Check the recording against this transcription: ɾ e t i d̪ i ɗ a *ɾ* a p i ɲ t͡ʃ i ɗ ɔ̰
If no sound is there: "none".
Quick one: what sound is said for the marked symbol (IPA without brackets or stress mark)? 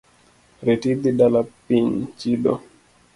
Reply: l